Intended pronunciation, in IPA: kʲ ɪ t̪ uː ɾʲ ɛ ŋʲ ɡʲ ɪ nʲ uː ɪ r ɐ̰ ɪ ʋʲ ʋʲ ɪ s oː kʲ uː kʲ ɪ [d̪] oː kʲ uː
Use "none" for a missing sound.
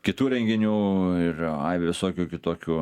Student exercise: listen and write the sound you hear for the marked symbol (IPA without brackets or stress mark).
t̪